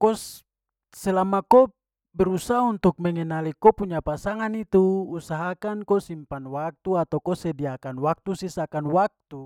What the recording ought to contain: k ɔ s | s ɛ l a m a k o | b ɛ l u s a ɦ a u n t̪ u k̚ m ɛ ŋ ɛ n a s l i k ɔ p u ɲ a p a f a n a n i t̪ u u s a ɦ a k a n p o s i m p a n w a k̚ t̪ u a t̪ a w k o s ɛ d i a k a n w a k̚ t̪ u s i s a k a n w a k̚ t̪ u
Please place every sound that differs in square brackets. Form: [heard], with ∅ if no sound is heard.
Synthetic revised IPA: k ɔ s | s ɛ l a m a k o | b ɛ [ɾ] u s a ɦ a u n t̪ u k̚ m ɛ ŋ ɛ n a [∅] l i k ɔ p u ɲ a p a [s] a [ŋ] a n i t̪ u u s a ɦ a k a n [k] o s i m p a n w a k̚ t̪ u a t̪ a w k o s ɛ d i a k a n w a k̚ t̪ u s i s a k a n w a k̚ t̪ u

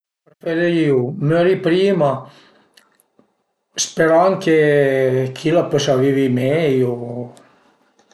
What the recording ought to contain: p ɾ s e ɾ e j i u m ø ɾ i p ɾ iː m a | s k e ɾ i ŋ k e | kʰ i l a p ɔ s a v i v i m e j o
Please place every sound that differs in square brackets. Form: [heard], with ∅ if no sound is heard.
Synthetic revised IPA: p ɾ [f] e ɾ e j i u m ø ɾ i p ɾ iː m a | s [p] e ɾ [a] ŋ k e | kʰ i l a p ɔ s a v i v i m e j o

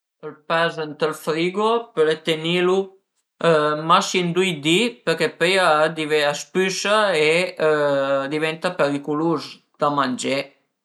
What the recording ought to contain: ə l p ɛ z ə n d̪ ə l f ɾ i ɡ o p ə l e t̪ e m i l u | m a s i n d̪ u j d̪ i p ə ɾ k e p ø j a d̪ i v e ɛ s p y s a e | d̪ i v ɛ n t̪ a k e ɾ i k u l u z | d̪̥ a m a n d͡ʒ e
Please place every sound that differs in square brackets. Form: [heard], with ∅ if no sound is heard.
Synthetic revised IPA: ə l p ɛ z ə n [t̪] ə l f ɾ i ɡ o p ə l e t̪ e [n] i l u | m a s i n d̪ u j d̪ i p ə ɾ k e p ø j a d̪ i v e [a] s p y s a e | d̪ i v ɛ n t̪ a [p] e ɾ i k u l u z | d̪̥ a m a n d͡ʒ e

